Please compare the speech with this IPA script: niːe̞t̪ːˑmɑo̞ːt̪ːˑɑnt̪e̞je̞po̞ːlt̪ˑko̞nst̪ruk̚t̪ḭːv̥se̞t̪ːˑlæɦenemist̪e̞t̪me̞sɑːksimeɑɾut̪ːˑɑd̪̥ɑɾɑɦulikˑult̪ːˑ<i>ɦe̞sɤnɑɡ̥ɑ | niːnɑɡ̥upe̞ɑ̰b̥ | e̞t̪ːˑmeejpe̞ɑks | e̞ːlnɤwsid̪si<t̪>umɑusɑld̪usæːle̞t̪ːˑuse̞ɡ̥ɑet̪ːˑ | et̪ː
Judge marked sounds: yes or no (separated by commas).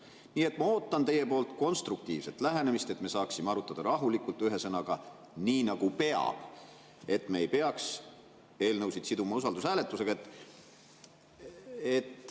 no, no